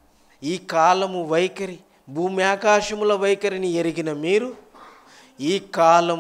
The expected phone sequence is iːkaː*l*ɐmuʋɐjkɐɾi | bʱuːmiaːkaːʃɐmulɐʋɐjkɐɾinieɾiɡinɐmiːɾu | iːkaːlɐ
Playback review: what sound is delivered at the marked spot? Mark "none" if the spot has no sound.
l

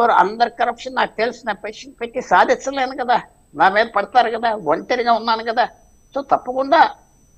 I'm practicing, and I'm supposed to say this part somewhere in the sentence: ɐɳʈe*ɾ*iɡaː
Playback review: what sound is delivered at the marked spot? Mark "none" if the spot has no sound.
ɾ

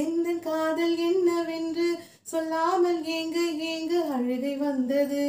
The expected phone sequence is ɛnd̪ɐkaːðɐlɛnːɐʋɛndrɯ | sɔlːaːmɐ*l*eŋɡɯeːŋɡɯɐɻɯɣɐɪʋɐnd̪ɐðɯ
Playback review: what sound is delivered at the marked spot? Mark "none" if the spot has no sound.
l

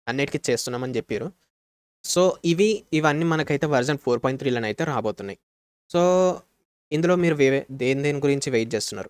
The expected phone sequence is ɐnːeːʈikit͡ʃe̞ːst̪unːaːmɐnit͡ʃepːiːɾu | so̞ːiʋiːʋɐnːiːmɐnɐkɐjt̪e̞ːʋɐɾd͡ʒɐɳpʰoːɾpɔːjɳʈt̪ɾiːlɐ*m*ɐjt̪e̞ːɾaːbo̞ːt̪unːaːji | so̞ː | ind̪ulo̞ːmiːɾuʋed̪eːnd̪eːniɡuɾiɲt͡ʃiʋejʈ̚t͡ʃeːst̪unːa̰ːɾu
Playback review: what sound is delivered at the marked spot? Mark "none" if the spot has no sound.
n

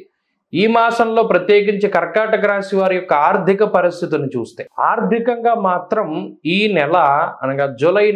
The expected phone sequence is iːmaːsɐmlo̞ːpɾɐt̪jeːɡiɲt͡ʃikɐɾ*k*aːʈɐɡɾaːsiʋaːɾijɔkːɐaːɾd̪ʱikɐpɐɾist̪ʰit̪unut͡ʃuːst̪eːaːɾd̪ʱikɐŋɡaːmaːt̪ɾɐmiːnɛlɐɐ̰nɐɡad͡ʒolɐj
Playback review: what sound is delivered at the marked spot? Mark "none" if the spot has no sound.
k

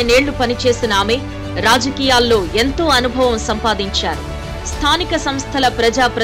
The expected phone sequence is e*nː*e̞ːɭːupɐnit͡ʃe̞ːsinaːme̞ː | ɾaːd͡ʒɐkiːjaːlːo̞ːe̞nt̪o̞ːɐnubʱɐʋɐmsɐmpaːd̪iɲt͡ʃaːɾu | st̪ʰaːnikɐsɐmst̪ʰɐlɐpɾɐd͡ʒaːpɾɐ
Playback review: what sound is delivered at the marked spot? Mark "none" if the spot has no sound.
n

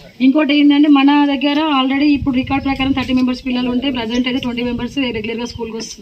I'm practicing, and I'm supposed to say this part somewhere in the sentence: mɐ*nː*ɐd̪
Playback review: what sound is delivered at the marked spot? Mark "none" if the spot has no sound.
n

